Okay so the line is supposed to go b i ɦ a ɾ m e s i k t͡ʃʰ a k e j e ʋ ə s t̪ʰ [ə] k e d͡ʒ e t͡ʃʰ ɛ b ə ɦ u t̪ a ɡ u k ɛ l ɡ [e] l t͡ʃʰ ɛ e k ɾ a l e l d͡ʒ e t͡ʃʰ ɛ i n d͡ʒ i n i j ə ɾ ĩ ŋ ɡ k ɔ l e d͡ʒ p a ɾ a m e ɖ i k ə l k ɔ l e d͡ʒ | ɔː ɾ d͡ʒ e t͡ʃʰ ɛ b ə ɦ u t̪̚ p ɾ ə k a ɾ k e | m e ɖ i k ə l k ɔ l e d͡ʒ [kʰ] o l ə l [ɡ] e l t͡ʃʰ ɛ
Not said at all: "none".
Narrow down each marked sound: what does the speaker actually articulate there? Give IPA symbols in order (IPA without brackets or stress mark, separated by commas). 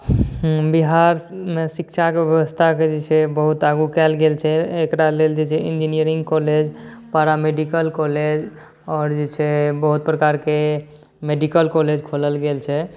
a, e, kʰ, ɡ